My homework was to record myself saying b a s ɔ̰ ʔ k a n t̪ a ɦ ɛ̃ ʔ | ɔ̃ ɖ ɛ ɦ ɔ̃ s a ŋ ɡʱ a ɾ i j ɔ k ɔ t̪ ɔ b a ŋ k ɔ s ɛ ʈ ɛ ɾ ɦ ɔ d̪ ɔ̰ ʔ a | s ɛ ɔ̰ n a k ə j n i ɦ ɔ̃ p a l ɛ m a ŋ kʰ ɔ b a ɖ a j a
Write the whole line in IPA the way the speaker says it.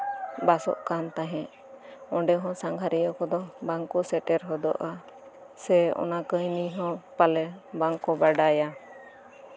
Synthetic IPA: b a s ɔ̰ ʔ k a n t̪ a ɦ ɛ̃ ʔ | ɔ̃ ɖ ɛ ɦ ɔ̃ s a ŋ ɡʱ a ɾ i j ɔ k ɔ d̪ ɔ b a ŋ k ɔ s ɛ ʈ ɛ ɾ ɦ ɔ d̪ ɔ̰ ʔ a | s ɛ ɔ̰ n a k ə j n i ɦ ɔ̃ p a l ɛ b a ŋ k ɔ b a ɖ a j a